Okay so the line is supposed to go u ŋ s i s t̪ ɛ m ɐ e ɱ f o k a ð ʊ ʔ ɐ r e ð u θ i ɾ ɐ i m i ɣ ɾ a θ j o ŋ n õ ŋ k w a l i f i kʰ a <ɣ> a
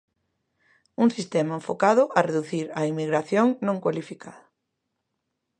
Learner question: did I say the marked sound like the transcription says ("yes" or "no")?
no